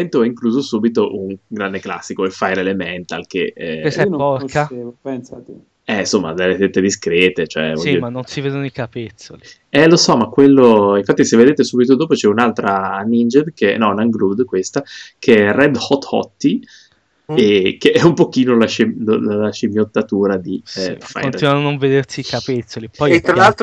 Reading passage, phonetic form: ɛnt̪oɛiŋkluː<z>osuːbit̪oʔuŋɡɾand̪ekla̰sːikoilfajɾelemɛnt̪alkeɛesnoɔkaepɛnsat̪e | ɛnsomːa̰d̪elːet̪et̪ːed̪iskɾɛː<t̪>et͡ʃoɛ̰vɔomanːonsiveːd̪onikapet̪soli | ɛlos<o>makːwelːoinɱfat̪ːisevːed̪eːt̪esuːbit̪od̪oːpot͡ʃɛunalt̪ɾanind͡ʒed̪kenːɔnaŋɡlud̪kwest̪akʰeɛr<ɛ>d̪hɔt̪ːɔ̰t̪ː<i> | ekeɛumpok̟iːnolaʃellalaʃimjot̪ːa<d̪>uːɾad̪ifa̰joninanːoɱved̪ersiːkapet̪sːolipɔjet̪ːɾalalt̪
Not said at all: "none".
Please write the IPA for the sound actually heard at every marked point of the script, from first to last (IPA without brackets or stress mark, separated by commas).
z, t̪, ɔ, ɛ, i, t̪